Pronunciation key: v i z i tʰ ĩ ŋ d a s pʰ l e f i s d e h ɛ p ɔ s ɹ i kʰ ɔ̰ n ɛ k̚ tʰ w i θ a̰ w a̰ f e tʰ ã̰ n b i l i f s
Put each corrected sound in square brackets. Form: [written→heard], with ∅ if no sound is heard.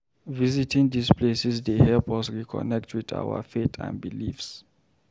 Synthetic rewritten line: v i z i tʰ ĩ ŋ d [a→i] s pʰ l e [f→s] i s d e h ɛ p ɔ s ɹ i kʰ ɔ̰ n ɛ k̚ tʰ w i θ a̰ w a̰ f e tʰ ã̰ n b i l i f s